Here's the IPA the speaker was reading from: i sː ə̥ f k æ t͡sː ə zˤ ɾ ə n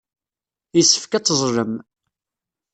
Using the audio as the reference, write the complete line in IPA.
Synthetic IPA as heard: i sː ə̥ f k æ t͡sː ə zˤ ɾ ə m